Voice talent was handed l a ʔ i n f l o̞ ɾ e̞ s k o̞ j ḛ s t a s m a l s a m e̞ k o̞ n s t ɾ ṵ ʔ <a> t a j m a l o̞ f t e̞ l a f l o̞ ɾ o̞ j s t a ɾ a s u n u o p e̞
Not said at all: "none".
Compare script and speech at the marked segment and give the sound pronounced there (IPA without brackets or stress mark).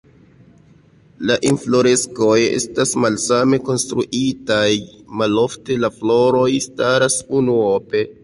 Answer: i